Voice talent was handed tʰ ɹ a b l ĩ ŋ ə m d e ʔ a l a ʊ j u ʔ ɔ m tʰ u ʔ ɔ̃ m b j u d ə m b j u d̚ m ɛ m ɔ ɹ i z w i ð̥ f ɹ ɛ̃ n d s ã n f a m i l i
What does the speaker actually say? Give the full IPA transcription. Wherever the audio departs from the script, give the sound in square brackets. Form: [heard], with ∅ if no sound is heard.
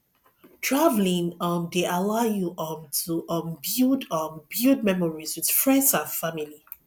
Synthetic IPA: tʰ ɹ a [v] l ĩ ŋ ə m d e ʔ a l a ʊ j u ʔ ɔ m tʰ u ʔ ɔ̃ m b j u d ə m b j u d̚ m ɛ m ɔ ɹ i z w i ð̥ f ɹ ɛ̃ n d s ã n f a m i l i